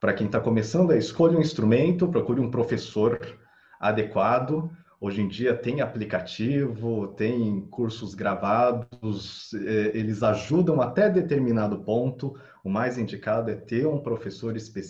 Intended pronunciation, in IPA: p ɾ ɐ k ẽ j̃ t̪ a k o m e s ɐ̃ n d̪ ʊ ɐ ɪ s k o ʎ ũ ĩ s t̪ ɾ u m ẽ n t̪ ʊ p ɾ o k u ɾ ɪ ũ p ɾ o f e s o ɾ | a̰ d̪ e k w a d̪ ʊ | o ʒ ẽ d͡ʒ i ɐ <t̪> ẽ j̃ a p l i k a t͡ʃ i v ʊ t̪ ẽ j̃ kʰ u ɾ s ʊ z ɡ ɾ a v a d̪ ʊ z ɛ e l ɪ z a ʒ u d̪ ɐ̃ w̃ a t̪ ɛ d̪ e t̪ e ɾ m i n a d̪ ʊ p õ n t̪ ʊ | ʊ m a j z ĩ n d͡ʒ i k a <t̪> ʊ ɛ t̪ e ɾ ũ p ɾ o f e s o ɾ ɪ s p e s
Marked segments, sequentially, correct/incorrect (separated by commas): correct, incorrect